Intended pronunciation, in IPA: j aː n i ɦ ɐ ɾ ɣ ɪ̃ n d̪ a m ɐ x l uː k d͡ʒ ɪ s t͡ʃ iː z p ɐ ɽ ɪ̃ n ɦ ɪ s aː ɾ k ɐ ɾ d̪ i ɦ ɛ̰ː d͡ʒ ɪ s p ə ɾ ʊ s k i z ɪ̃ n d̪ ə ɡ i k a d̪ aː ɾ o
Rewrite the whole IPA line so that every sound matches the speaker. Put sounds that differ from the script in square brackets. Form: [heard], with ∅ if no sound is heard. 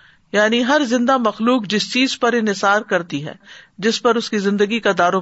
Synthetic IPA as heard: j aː n i ɦ ɐ ɾ [z] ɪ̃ n d̪ a m ɐ x l uː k d͡ʒ ɪ s t͡ʃ iː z p ɐ [ɾ] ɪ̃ n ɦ ɪ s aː ɾ k ɐ ɾ [t̪] i ɦ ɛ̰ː d͡ʒ ɪ s p [ɐ] ɾ ʊ s k i z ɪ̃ n d̪ ə ɡ i k a d̪ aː ɾ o